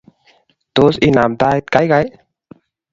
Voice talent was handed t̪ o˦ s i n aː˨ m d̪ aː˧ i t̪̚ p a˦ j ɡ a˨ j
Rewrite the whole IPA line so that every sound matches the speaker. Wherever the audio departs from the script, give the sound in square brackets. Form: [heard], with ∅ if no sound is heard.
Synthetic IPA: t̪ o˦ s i n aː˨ m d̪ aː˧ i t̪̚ [k] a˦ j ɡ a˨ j